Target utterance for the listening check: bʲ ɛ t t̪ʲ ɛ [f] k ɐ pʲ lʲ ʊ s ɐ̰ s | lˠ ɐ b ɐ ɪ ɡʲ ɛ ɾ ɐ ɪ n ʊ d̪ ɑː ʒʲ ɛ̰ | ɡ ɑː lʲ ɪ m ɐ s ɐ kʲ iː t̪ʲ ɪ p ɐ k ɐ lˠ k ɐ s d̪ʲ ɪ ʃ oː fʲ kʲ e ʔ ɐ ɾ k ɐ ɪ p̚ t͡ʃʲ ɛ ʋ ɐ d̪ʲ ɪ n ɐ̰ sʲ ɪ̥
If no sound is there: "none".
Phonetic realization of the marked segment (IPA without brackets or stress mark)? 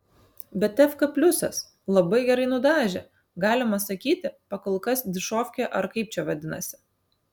f